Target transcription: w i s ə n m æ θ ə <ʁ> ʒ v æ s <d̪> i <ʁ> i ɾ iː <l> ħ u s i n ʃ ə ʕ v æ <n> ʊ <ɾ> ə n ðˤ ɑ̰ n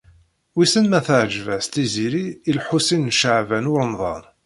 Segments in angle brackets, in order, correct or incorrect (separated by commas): incorrect, incorrect, incorrect, correct, correct, correct